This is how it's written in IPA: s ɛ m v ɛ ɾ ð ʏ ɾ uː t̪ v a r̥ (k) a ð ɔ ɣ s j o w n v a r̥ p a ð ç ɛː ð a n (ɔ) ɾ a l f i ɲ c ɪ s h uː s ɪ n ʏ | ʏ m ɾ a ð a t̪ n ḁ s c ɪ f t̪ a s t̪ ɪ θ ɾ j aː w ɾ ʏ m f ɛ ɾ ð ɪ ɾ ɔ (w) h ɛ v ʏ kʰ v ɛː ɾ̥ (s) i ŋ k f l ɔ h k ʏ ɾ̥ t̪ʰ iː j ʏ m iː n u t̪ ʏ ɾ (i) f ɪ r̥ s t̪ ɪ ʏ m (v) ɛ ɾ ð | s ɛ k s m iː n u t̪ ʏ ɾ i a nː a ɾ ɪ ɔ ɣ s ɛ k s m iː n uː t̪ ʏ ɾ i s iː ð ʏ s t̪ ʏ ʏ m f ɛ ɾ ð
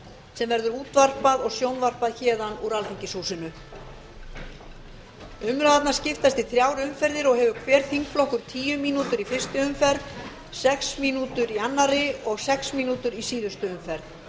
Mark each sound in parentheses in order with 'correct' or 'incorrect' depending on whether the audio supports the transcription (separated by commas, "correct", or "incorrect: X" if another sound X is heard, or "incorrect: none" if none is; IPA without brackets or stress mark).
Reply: incorrect: p, incorrect: u, incorrect: ɣ, incorrect: θ, correct, incorrect: f